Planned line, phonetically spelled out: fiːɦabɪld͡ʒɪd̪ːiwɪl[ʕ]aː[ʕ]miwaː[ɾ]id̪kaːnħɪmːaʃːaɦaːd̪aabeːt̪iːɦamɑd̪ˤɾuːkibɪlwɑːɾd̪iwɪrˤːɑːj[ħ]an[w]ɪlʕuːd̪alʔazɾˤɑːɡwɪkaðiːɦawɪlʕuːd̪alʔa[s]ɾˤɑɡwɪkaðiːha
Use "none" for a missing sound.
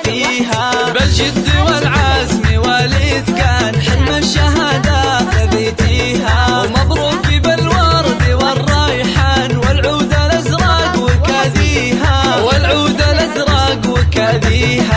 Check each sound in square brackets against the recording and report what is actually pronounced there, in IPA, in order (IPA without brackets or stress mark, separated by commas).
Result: ʕ, z, l, ħ, w, z